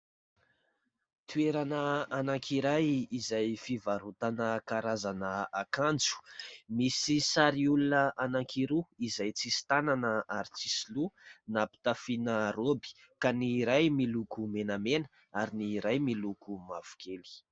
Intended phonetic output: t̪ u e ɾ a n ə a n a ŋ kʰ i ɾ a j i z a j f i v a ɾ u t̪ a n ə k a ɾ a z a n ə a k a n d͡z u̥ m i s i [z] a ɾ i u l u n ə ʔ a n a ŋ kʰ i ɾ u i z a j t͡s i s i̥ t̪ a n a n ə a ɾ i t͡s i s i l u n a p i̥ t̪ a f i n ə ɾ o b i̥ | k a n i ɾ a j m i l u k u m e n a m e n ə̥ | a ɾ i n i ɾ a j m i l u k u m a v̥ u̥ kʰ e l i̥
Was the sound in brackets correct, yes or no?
no